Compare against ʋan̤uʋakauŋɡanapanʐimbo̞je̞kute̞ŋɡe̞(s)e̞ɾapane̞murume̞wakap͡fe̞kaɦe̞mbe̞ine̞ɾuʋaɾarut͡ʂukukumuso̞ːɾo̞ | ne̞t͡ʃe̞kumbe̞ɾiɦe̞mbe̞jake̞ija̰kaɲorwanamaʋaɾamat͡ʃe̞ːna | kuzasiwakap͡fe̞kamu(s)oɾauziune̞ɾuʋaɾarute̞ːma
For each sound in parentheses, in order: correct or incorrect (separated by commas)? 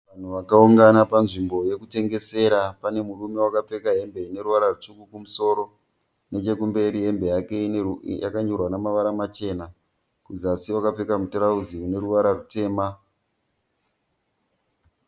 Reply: correct, incorrect